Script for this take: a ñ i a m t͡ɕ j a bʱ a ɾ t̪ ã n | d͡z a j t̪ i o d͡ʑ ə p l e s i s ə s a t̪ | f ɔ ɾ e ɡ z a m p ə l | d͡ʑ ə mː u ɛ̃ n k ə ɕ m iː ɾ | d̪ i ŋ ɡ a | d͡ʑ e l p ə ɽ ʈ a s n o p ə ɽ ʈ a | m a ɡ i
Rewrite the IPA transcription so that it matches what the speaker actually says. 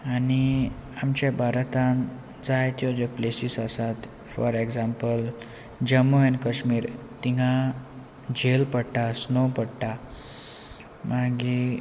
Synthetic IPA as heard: a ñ i a m t͡ɕ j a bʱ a ɾ t̪ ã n | d͡z a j t̪ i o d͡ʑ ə p l e s i s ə s a t̪ | f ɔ ɾ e ɡ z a m p ə l | d͡ʑ ə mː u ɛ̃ n k ə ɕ m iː ɾ | t̪ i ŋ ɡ a | d͡ʑ e l p ə ɽ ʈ a s n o p ə ɽ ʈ a | m a ɡ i